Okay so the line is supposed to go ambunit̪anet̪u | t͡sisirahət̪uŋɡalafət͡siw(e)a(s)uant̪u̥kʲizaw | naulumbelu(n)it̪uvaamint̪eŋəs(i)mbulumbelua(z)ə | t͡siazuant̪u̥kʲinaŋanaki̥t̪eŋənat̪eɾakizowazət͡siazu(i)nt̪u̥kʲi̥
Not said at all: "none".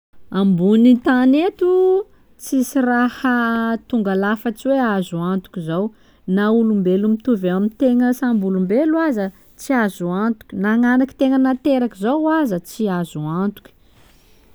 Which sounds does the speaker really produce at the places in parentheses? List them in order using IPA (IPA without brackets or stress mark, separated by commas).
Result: e, z, m, a, z, a